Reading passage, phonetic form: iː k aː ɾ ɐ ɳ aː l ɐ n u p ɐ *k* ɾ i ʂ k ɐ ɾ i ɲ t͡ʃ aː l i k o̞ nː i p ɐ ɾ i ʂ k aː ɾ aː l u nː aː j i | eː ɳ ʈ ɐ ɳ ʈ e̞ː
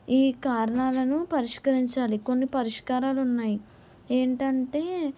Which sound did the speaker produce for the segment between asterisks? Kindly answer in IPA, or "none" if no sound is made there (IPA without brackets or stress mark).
none